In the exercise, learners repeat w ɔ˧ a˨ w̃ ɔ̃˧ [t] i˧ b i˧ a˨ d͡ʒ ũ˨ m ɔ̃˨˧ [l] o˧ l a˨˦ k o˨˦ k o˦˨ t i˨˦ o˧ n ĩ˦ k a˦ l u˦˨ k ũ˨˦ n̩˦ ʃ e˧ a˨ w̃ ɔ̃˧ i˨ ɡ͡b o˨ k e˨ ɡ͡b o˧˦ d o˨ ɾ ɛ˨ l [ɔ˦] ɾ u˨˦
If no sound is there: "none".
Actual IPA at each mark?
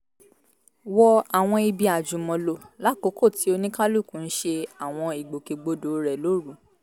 none, l, o˦

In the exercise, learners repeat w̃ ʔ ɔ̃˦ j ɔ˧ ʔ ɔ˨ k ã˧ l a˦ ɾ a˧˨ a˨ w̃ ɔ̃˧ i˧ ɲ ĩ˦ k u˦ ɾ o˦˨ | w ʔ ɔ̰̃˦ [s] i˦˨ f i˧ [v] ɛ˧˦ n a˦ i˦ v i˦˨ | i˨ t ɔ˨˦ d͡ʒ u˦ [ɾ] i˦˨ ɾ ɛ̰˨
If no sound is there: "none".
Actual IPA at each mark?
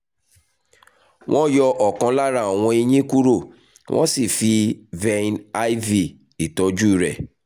s, v, none

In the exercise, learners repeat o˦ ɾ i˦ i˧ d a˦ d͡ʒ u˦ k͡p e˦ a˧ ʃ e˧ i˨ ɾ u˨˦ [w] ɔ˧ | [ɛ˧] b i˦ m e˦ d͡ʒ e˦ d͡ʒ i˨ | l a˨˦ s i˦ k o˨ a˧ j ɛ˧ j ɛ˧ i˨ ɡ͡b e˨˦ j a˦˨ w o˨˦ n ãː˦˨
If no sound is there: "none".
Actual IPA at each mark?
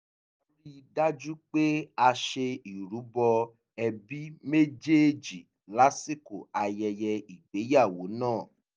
b, ɛ˧

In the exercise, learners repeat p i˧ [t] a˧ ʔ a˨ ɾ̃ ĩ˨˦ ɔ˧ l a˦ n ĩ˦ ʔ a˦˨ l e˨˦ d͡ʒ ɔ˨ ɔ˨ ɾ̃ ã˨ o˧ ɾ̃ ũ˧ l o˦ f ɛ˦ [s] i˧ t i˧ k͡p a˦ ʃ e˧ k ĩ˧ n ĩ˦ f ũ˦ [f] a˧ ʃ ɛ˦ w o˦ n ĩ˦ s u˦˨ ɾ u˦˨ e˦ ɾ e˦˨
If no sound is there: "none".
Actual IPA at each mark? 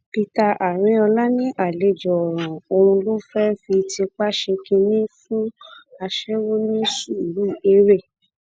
t, f, none

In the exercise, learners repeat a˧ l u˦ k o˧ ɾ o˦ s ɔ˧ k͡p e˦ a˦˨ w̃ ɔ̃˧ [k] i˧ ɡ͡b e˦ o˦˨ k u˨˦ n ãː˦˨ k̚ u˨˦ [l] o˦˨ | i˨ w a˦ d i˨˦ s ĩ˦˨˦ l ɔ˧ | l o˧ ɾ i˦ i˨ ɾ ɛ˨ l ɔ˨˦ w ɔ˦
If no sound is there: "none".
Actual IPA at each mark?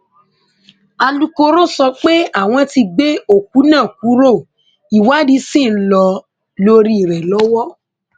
t, ɾ

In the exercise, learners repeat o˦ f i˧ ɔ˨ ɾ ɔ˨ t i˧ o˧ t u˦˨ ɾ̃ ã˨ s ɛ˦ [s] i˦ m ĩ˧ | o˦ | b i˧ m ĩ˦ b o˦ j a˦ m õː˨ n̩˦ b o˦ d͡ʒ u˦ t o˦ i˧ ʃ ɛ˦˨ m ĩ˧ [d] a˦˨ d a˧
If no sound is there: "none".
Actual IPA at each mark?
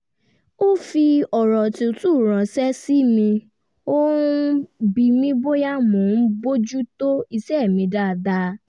s, d

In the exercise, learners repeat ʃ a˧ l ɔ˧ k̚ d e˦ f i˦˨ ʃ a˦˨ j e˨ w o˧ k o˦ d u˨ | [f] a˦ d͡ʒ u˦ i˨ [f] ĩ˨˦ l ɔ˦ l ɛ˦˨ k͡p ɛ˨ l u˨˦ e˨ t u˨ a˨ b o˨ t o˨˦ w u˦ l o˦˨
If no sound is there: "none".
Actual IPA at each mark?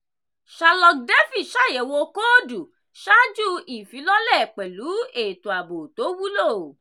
ʃ, f

